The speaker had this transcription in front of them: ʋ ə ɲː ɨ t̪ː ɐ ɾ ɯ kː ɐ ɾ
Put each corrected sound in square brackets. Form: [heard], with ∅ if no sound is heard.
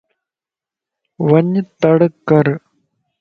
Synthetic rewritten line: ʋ [ɐ] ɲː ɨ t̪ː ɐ [ɽ] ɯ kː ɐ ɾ